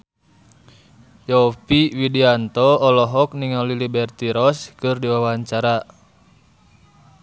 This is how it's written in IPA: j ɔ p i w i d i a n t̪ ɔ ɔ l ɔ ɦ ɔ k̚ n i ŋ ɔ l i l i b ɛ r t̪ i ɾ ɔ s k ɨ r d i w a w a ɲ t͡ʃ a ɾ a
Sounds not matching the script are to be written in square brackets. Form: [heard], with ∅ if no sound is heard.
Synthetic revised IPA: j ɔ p i w i d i a n t̪ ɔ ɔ l ɔ ɦ ɔ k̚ n i ŋ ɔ l i l i b ɛ r t̪ i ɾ ɔ s k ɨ r d i w a w a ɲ t͡ʃ a ɾ a